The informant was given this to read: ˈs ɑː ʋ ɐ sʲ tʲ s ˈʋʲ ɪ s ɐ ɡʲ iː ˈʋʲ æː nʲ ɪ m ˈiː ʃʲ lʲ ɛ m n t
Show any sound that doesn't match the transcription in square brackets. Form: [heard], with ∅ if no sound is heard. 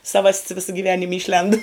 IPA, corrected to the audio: ˈs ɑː ʋ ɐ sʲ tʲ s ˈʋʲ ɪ s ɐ ɡʲ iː ˈʋʲ æː nʲ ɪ m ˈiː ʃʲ lʲ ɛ [∅] n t

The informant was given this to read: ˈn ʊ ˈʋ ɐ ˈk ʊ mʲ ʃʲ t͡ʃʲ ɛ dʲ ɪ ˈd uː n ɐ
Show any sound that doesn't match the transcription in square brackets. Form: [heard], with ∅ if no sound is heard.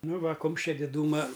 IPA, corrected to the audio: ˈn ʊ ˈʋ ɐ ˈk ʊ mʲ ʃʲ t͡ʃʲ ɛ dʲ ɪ ˈd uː [m] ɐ

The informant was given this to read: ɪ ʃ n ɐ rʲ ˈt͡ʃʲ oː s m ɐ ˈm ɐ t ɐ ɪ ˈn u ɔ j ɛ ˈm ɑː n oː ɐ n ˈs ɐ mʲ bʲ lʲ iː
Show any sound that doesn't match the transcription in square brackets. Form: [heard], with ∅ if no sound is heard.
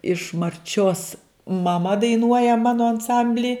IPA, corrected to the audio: ɪ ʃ [m] ɐ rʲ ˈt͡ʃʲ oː s m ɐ ˈm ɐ [d] ɐ ɪ ˈn u ɔ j ɛ ˈm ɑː n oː ɐ n ˈs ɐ mʲ bʲ lʲ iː

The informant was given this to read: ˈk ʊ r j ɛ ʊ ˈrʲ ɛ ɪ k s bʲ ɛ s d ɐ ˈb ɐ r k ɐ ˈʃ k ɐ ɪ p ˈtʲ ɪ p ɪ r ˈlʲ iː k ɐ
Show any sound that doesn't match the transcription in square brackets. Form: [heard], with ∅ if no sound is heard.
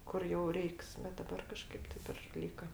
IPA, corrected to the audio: ˈk ʊ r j ɛ ʊ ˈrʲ ɛ ɪ k s bʲ ɛ [t] d ɐ ˈb ɐ r k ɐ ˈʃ k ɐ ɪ p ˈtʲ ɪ p ɪ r ˈlʲ iː k ɐ

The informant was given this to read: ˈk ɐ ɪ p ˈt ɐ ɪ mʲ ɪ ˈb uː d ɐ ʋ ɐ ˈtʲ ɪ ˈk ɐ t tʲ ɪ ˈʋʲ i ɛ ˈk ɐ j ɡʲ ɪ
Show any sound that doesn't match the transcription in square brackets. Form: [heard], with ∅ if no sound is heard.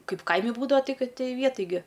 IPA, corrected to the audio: ˈk ɐ ɪ p [ˈk] ɐ ɪ mʲ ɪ ˈb uː d ɐ ʋ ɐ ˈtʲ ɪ ˈk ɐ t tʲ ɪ ˈʋʲ i ɛ [ˈt] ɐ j ɡʲ ɪ

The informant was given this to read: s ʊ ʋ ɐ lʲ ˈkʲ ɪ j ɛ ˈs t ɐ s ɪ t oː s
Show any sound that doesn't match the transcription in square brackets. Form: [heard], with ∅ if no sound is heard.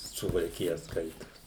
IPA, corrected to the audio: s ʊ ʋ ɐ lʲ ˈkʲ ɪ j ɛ ˈs [k] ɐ [∅] ɪ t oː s

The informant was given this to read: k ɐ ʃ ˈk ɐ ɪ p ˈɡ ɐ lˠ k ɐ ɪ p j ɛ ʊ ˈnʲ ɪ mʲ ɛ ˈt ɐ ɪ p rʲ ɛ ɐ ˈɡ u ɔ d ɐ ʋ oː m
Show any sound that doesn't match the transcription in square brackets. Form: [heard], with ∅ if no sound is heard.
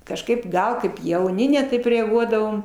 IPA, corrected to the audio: k ɐ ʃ ˈk ɐ ɪ p ˈɡ ɐ lˠ k ɐ ɪ p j ɛ ʊ ˈnʲ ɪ [nʲ] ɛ ˈt ɐ ɪ p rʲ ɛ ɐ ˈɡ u ɔ d ɐ ʋ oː m

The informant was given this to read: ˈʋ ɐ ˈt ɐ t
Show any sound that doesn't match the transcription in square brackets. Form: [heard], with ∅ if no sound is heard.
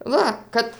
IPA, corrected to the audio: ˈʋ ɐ [ˈk] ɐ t

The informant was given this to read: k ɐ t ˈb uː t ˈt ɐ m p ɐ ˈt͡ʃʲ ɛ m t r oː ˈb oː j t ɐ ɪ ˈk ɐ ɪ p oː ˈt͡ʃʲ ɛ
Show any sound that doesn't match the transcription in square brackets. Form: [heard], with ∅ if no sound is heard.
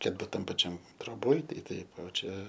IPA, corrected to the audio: k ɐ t ˈb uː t ˈt ɐ m p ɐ ˈt͡ʃʲ ɛ m t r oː ˈb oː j t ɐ ɪ [ˈt] ɐ ɪ p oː ˈt͡ʃʲ ɛ

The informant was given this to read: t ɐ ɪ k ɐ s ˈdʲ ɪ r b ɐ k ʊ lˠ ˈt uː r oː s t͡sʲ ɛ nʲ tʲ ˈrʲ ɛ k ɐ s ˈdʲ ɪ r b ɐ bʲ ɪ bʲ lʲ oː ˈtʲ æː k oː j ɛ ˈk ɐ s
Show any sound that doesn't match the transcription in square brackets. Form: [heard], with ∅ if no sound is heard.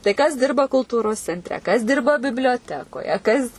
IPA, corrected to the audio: t ɐ ɪ k ɐ s ˈdʲ ɪ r b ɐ k ʊ lˠ ˈt uː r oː s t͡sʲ ɛ nʲ tʲ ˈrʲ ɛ k ɐ s ˈdʲ ɪ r b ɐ bʲ ɪ bʲ lʲ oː ˈtʲ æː k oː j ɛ ˈk ɐ s

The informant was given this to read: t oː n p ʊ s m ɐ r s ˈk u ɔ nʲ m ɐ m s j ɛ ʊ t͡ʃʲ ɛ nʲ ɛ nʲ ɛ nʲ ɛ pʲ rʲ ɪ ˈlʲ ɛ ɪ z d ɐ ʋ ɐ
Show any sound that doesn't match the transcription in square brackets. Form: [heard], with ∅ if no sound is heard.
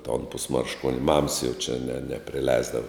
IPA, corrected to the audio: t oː n p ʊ s m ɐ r [ʃ] ˈk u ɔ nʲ m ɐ m s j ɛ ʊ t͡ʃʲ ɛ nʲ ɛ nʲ ɛ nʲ ɛ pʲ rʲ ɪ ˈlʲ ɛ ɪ z d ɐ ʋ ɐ

